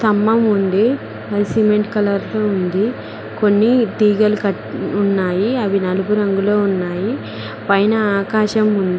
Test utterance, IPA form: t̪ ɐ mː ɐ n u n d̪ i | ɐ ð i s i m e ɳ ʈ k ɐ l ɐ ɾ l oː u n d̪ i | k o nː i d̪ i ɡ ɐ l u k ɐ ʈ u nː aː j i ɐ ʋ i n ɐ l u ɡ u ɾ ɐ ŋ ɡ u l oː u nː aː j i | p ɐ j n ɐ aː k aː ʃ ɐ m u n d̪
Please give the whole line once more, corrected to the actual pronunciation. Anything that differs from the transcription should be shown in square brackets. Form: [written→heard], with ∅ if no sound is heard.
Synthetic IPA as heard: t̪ ɐ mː ɐ [n→m] u n d̪ i | ɐ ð i s i m e ɳ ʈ k ɐ l ɐ ɾ l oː u n d̪ i | k o nː i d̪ [i→iː] ɡ ɐ l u k ɐ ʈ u nː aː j i ɐ ʋ i n ɐ l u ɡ u ɾ ɐ ŋ ɡ u l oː u nː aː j i | p ɐ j n ɐ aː k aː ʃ ɐ m u n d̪